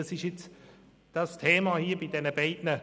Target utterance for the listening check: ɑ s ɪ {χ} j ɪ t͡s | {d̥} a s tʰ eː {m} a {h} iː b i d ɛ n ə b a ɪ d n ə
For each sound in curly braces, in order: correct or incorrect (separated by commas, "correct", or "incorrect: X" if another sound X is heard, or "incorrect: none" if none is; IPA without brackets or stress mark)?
incorrect: ʃ, correct, correct, correct